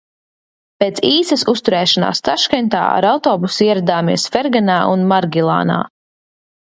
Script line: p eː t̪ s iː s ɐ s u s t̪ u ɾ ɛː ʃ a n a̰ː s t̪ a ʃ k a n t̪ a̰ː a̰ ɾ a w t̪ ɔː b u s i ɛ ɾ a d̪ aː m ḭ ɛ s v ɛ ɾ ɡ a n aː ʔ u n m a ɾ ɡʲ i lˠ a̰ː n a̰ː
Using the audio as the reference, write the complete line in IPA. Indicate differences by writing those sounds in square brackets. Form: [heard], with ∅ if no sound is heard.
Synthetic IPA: p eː t̪ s iː s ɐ s u s t̪ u ɾ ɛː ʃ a n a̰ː s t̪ a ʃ k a n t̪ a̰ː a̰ ɾ a w t̪ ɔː b u s i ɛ ɾ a d̪ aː m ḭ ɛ s [f] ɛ ɾ ɡ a n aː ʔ u n m a ɾ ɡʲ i lˠ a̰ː n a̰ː

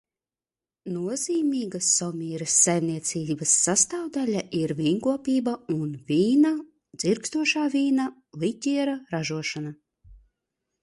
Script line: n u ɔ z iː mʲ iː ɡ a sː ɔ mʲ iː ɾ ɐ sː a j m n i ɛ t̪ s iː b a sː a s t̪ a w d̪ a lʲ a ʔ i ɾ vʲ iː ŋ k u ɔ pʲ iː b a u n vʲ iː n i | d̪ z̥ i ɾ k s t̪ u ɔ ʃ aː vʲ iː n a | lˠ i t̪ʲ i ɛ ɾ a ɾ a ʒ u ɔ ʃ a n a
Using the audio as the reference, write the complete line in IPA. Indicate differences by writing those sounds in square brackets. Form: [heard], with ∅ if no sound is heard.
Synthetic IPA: n u ɔ z iː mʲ iː ɡ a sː ɔ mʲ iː ɾ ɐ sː a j m n i ɛ t̪ s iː b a sː a s t̪ a w d̪ a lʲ a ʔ i ɾ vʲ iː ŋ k u ɔ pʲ iː b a u n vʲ iː n [a] | d̪ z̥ i ɾ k s t̪ u ɔ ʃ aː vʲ iː n a | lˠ i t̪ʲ i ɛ ɾ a ɾ a ʒ u ɔ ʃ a n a

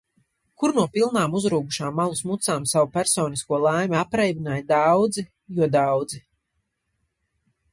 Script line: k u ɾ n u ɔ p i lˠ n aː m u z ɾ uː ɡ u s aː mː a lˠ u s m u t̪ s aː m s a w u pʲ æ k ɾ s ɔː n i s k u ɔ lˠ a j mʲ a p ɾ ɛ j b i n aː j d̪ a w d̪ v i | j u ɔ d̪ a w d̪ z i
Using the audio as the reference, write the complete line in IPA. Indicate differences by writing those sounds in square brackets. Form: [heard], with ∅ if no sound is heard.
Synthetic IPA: k u ɾ n u ɔ p i lˠ n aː m u z ɾ uː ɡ u [ʃ] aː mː a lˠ u s m u t̪ s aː m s a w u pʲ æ [∅] ɾ s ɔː n i s k u ɔ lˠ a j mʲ a p ɾ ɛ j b i n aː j d̪ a w d̪ [z] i | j u ɔ d̪ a w d̪ z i

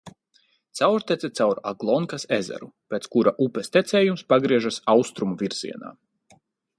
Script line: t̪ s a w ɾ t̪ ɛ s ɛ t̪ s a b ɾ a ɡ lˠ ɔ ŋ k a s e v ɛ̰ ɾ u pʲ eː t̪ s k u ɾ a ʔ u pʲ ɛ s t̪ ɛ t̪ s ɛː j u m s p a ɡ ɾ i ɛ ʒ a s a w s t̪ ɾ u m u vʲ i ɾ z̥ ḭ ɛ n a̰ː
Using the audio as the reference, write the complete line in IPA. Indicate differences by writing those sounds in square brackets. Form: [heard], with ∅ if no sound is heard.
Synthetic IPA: t̪ s a w ɾ t̪ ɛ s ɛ t̪ s a [w] ɾ a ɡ lˠ ɔ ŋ k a s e [z] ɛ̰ ɾ u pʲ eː t̪ s k u ɾ a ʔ u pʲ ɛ s t̪ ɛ t̪ s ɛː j u m s p a ɡ ɾ i ɛ ʒ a s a w s t̪ ɾ u m u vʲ i ɾ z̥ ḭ ɛ n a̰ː

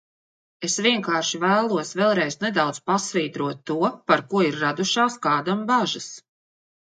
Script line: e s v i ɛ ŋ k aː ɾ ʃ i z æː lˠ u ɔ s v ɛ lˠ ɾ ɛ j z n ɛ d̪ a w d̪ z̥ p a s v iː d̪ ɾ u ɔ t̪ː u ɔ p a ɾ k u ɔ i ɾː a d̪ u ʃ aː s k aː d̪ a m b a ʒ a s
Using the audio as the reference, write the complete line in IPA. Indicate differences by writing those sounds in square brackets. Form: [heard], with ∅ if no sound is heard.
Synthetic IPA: e s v i ɛ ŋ k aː ɾ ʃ i [v] æː lˠ u ɔ s v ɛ lˠ ɾ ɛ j z n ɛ d̪ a w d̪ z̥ p a s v iː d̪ ɾ u ɔ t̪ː u ɔ p a ɾ k u ɔ i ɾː a d̪ u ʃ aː s k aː d̪ a m b a ʒ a s

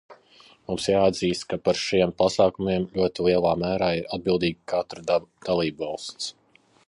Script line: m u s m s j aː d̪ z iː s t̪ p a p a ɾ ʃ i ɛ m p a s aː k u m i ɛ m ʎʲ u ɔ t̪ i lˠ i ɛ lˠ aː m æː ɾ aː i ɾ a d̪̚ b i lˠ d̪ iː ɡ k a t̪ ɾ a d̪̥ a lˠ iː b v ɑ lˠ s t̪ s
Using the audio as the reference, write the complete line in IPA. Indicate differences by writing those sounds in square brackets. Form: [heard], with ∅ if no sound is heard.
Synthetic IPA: m u [∅] m s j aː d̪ z iː s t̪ [k] a p a ɾ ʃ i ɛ m p a s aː k u m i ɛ m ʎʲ u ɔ t̪ i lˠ i ɛ lˠ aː m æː ɾ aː i ɾ a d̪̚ b i lˠ d̪ iː ɡ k a t̪ ɾ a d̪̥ a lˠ iː b v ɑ lˠ s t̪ s

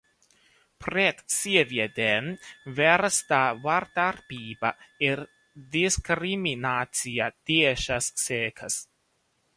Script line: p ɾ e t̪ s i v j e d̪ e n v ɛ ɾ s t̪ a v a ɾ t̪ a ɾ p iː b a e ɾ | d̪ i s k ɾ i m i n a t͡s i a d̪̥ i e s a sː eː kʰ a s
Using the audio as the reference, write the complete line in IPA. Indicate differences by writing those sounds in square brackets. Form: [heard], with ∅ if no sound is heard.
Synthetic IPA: p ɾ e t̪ s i v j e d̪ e n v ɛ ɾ s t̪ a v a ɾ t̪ a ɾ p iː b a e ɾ | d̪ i s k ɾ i m i n a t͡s i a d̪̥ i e [ʃ] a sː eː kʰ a s

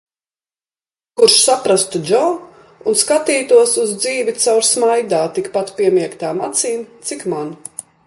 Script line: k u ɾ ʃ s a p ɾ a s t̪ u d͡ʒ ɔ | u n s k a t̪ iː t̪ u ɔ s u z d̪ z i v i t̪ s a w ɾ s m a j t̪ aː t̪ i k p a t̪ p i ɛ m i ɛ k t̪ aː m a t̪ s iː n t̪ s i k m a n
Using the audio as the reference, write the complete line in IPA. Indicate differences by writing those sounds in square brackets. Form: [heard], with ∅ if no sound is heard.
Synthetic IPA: k u ɾ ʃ s a p ɾ a s t̪ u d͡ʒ ɔ | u n s k a t̪ iː t̪ u ɔ s u z d̪ z [iː] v i t̪ s a w ɾ s m a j [d̪] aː t̪ i k p a t̪ p i ɛ m i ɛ k t̪ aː m a t̪ s iː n t̪ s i k m a n

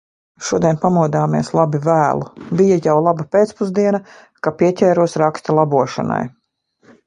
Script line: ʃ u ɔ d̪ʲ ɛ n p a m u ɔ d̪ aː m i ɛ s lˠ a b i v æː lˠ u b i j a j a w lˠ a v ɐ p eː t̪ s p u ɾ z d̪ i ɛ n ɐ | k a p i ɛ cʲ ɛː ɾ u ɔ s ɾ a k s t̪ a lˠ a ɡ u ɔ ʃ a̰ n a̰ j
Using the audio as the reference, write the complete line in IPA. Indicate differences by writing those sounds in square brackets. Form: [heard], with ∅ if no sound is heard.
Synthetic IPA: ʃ u ɔ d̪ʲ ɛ n p a m u ɔ d̪ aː m i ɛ s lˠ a b i v æː lˠ u b i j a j a w lˠ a [b] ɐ p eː t̪ s p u [∅] z d̪ i ɛ n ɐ | k a p i ɛ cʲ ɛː ɾ u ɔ s ɾ a k s t̪ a lˠ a [b] u ɔ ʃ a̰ n a̰ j

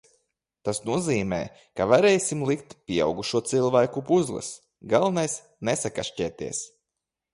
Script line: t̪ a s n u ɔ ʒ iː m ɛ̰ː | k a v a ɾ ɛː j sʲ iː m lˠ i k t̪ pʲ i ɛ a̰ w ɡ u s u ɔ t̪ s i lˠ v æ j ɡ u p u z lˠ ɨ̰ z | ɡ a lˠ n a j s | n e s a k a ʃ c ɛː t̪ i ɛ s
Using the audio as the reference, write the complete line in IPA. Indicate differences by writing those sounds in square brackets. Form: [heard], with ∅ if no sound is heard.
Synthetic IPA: t̪ a s n u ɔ [z] iː m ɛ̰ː | k a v a ɾ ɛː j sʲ [i] m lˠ i k t̪ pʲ i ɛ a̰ w ɡ u [ʃ] u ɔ t̪ s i lˠ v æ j [k] u p u z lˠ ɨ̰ [s] | ɡ a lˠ n a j s | n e s a k a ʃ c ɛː t̪ i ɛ s

